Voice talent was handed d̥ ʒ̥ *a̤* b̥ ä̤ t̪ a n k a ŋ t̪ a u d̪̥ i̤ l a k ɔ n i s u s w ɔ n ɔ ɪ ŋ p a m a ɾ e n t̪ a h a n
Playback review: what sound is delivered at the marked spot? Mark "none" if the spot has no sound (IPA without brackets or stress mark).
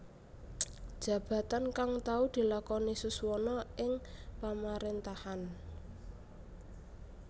a̤